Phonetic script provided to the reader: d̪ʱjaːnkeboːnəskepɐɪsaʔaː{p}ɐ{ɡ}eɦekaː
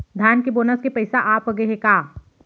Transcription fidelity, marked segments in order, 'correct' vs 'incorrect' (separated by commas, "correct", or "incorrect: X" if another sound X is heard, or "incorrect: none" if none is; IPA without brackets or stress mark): correct, correct